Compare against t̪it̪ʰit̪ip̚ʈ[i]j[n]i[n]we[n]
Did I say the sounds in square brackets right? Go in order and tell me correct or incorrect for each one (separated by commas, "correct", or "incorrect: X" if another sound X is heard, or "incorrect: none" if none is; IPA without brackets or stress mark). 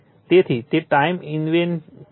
incorrect: a, incorrect: m, correct, correct